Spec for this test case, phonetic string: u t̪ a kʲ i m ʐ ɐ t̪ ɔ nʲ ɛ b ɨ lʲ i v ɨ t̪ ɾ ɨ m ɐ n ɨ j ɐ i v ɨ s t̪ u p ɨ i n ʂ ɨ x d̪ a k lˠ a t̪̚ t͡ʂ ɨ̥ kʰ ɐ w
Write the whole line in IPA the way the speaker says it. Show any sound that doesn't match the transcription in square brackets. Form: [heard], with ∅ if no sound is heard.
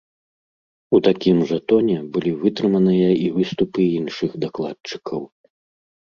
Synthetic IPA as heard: u t̪ a kʲ i m ʐ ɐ t̪ ɔ nʲ ɛ b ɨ lʲ i v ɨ t̪ ɾ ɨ m ɐ n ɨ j ɐ i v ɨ s t̪ u p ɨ i n ʂ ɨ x d̪ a k lˠ a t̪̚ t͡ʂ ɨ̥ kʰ ɐ w